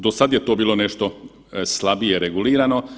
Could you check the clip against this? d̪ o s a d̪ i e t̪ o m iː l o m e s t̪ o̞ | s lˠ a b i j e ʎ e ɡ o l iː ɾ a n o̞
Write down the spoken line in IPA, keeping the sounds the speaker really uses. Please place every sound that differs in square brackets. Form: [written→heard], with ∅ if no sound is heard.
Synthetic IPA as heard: d̪ o s a d̪ [i→j] e t̪ o [m→b] iː l o [m→n] e [s→ʃ] t̪ o̞ | s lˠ a b i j e [ʎ→ɾ] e ɡ [o→u] l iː ɾ a n o̞